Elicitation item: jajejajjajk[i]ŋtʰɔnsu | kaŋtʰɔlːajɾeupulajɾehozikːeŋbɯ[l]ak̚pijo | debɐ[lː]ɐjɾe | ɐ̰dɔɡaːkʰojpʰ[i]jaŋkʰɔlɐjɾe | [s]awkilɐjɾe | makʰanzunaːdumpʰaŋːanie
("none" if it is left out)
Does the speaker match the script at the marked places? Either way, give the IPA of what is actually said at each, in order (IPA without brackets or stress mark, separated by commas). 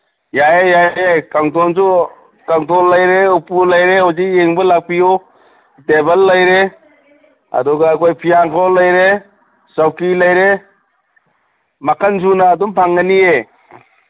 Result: a, l, lː, i, s